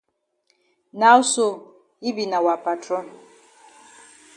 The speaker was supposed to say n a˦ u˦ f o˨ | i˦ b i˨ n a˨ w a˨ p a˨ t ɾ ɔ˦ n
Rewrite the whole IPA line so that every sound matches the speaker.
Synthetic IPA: n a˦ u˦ s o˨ | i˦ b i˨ n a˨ w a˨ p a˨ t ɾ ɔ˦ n